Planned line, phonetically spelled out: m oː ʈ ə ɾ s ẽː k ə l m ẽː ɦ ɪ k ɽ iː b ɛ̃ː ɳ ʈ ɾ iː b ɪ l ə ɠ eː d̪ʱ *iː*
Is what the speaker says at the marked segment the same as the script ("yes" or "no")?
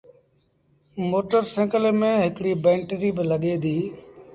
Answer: yes